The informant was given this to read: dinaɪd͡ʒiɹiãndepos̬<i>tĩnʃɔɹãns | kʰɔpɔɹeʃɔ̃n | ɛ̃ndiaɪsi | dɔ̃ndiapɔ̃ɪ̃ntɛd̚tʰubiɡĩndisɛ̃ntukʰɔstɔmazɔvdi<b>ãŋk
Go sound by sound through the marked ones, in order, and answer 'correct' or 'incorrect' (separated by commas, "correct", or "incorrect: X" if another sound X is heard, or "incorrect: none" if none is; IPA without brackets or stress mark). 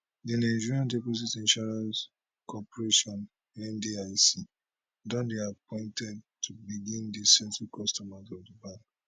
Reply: correct, correct